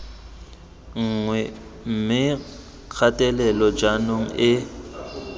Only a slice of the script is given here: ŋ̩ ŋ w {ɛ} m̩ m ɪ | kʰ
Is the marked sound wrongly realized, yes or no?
no